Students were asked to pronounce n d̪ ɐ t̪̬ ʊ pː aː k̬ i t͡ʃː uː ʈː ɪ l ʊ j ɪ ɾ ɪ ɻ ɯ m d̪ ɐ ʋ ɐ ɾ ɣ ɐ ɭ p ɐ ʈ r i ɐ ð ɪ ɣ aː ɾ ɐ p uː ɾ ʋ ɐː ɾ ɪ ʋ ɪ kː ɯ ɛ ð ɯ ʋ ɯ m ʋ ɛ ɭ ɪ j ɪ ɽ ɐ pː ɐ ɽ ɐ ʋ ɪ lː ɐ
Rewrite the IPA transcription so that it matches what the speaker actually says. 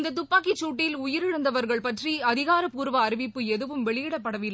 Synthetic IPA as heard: n d̪ ɐ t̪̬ ʊ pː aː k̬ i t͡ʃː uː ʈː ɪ l ʊ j ɪ ɾ ɪ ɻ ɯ n d̪ ɐ ʋ ɐ ɾ ɣ ɐ ɭ p ɐ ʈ r i ɐ ð ɪ ɣ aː ɾ ɐ p uː ɾ ʋ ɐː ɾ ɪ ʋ ɪ pː ɯ ɛ ð ɯ ʋ ɯ m ʋ ɛ ɭ ɪ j ɪ ɽ ɐ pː ɐ ɽ ɐ ʋ ɪ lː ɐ